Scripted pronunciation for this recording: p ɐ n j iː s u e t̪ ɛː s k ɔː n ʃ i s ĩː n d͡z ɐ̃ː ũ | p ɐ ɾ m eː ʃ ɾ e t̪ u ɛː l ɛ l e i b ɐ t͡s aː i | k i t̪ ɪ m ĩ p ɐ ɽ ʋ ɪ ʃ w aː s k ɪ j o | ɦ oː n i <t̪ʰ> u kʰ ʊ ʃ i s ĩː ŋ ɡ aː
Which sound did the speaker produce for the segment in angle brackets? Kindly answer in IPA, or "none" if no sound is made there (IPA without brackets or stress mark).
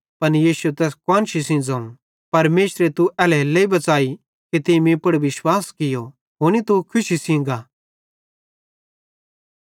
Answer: t̪